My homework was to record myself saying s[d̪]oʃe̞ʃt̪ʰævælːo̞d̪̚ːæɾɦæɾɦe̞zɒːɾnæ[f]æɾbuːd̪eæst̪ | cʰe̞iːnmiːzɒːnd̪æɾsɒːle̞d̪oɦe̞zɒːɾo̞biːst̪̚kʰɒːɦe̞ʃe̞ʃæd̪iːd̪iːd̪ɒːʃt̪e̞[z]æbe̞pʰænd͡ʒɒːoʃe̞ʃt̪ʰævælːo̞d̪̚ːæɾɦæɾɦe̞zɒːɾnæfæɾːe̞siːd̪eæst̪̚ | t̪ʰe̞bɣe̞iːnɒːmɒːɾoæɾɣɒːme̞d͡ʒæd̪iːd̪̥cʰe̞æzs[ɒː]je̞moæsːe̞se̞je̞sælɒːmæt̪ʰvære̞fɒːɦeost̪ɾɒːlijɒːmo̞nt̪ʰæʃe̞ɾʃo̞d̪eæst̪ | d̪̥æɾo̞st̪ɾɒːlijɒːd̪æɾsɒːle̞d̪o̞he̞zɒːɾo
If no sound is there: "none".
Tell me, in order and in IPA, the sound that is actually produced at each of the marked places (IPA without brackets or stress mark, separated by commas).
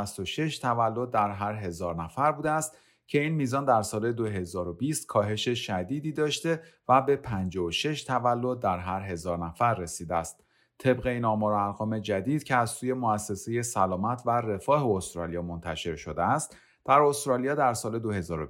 t̪, f, v, uː